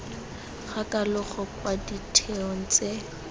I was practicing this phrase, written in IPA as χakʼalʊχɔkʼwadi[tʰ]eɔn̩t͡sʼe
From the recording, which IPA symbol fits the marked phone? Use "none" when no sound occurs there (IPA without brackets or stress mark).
tʰ